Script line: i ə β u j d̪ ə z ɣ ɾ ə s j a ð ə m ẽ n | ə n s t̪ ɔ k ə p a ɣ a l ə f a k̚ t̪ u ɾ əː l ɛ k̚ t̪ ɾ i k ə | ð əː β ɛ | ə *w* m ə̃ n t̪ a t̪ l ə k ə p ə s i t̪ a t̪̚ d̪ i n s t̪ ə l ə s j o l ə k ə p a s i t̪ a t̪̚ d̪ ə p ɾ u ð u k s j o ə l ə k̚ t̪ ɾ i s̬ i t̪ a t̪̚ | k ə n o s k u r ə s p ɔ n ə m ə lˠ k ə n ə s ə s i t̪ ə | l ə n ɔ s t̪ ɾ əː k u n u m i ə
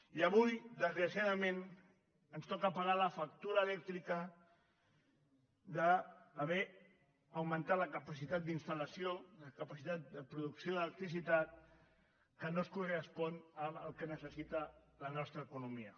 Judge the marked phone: correct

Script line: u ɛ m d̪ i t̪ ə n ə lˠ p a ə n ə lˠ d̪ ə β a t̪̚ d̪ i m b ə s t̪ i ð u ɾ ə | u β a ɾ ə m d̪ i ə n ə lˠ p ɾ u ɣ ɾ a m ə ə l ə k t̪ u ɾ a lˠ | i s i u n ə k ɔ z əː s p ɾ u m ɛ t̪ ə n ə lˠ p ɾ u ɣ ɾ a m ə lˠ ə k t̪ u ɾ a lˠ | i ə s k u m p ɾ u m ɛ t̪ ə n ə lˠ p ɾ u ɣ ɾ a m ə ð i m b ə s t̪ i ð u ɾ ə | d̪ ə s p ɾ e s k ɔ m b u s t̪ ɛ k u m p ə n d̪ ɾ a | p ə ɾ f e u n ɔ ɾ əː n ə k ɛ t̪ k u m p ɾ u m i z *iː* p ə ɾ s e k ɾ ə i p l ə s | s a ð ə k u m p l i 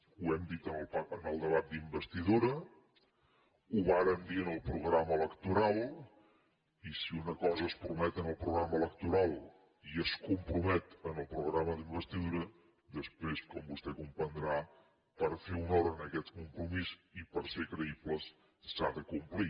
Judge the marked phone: incorrect: i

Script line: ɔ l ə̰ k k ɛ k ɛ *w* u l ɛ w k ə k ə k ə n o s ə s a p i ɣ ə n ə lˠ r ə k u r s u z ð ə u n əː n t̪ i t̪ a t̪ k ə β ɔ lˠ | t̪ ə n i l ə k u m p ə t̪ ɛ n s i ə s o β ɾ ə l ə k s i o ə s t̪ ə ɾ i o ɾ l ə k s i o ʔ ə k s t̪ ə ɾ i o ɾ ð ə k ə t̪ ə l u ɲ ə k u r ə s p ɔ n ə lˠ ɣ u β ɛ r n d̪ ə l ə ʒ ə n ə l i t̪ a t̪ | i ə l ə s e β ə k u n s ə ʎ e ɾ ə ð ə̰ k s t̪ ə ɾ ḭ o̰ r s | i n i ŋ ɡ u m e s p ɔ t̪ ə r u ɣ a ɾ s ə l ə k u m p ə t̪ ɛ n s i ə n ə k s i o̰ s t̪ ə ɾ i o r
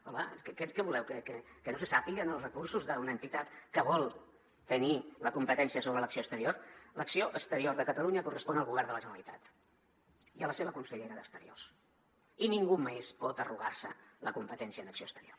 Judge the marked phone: incorrect: β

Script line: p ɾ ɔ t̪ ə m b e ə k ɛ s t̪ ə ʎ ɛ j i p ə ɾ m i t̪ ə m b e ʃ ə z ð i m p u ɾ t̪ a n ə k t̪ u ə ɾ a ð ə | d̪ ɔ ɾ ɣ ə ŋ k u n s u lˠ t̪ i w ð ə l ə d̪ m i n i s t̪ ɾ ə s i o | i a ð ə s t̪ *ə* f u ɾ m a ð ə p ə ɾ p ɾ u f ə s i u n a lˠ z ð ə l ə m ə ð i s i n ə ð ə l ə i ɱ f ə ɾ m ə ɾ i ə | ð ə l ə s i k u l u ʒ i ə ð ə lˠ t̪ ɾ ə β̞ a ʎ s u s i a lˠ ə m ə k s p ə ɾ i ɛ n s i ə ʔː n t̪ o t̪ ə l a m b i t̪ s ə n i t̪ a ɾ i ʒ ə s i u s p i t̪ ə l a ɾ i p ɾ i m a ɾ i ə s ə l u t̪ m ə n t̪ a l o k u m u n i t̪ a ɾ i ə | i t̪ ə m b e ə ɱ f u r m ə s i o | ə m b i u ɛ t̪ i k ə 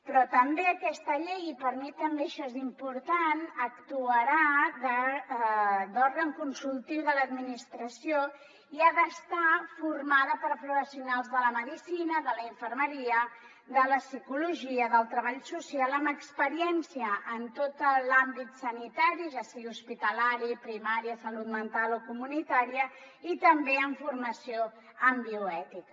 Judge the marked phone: incorrect: a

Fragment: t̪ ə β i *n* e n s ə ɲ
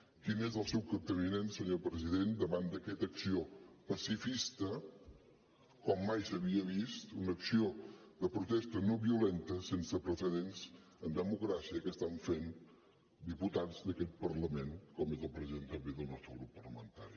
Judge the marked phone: correct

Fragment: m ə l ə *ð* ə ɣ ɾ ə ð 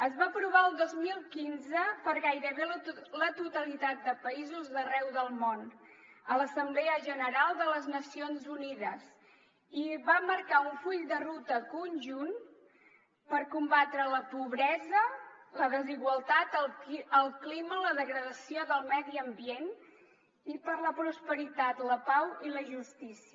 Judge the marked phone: correct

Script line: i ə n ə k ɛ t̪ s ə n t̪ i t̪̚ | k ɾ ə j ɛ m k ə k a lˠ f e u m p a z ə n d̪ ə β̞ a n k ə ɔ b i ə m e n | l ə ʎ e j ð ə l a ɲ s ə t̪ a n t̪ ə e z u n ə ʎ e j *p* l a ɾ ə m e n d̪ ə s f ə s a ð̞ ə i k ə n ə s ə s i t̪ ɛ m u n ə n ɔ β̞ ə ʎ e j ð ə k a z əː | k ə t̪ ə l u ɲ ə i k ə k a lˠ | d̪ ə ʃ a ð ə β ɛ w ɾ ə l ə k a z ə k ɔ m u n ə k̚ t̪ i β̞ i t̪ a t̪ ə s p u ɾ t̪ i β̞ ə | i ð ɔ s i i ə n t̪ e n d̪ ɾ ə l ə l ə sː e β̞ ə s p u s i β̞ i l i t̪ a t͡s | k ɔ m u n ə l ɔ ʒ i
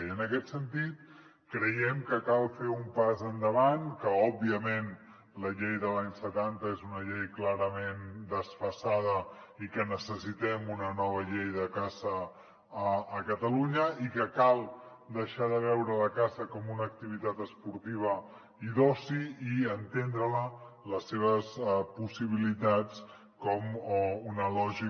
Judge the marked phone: incorrect: k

